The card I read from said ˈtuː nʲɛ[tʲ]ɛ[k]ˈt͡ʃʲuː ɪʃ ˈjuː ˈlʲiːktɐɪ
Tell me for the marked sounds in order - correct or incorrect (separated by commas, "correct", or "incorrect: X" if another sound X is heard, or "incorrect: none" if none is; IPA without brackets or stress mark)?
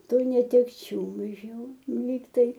correct, correct